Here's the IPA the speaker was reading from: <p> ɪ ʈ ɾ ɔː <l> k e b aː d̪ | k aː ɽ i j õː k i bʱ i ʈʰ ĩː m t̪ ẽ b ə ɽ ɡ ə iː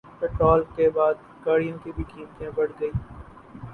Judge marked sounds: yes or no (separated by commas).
yes, yes